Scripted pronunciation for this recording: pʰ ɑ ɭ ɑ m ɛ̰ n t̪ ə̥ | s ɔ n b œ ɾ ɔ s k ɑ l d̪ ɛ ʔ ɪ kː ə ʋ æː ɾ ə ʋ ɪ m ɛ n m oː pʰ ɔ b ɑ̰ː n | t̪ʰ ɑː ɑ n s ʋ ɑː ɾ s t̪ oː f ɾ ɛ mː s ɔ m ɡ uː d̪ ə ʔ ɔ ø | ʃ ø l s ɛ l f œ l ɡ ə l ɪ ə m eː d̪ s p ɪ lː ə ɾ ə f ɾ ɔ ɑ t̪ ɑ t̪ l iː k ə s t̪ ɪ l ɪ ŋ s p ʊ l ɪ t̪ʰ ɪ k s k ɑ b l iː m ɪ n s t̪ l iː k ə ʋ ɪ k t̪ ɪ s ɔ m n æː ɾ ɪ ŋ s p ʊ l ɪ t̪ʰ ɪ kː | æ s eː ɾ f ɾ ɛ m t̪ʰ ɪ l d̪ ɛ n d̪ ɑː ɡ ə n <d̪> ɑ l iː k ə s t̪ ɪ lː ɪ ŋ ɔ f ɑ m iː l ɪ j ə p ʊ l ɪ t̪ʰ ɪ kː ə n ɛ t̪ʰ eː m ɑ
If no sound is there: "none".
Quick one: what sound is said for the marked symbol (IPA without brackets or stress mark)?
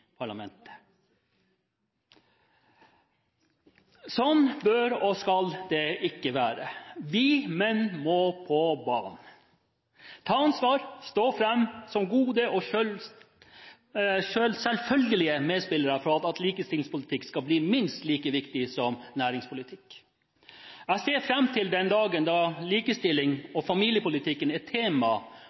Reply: d̪